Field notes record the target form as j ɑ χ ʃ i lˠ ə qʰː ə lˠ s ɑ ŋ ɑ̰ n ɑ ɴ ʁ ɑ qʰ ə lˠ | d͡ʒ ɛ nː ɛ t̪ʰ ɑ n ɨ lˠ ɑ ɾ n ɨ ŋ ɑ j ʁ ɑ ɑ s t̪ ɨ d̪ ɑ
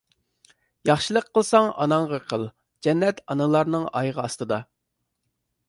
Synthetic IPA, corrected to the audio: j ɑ χ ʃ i lˠ ə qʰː ə lˠ s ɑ ŋ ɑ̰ n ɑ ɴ ʁ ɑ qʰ ə lˠ | d͡ʒ ɛ nː ɛ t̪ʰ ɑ n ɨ lˠ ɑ ɾ n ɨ ŋ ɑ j ʁ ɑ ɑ s t̪ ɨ d̪ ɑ